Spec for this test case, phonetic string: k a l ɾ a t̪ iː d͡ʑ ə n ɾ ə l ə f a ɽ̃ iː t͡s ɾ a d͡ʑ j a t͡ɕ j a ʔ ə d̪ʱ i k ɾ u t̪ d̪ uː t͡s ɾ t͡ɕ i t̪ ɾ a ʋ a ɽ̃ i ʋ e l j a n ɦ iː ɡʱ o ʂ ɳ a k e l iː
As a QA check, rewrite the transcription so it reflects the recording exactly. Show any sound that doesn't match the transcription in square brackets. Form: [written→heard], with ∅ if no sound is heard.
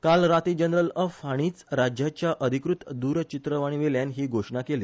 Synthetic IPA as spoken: k a l ɾ a t̪ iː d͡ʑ ə n ɾ ə l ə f a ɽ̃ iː t͡s ɾ a d͡ʑ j a t͡ɕ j a ʔ ə d̪ʱ i k ɾ u t̪ d̪ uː [t͡s→∅] ɾ t͡ɕ i t̪ ɾ [a→ə] ʋ a ɽ̃ i ʋ e l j a n ɦ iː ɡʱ o ʂ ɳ a k e l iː